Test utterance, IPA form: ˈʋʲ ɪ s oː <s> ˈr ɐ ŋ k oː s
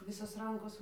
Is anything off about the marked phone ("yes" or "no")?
no